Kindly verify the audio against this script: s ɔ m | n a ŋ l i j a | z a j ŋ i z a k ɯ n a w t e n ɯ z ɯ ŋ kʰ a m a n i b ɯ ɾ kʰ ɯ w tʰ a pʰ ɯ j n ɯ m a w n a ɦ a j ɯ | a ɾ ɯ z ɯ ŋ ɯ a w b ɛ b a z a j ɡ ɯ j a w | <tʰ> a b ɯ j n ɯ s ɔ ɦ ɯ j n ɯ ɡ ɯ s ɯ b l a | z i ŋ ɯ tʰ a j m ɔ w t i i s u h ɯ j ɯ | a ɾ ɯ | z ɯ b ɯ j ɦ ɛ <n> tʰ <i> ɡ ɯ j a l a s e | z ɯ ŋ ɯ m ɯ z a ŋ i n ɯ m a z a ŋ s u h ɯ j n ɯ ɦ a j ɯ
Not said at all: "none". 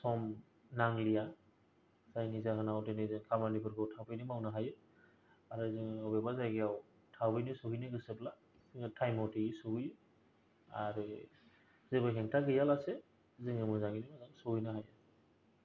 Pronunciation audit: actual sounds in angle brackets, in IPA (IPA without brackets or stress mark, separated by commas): tʰ, ŋ, a